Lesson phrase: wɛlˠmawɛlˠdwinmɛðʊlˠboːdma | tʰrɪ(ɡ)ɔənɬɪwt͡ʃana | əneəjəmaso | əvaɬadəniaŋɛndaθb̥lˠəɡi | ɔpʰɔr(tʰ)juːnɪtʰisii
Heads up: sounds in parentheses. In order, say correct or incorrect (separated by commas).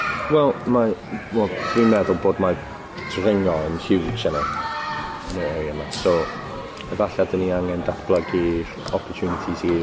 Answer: incorrect, correct